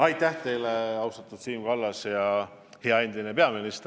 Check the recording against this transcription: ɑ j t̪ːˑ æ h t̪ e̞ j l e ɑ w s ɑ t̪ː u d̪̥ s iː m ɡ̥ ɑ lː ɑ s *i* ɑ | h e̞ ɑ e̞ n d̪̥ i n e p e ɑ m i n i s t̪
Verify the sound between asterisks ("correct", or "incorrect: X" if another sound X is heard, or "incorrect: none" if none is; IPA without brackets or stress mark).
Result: incorrect: j